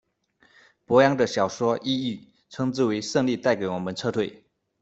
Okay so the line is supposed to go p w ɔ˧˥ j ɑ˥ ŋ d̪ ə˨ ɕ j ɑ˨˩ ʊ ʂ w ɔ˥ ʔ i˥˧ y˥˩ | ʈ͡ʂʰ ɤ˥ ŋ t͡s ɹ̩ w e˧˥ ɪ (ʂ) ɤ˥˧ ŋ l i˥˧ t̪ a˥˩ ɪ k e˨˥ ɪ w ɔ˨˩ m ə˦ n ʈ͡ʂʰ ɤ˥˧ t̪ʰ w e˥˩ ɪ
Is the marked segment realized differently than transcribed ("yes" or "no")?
no